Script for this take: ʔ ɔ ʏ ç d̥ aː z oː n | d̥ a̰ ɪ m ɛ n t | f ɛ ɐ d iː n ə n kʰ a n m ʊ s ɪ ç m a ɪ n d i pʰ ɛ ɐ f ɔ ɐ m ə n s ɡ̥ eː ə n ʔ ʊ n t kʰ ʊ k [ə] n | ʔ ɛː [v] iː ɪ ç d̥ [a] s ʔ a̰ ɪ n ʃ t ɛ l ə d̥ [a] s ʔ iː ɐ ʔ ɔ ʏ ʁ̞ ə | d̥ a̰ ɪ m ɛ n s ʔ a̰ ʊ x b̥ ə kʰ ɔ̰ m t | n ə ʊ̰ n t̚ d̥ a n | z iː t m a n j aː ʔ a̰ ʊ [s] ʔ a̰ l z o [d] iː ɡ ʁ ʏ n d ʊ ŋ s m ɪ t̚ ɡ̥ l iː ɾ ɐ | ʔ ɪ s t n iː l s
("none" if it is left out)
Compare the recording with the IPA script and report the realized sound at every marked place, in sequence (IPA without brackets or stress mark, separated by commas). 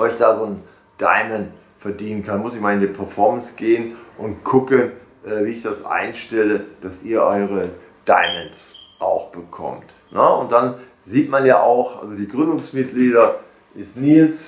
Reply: ə, v, a, a, x, d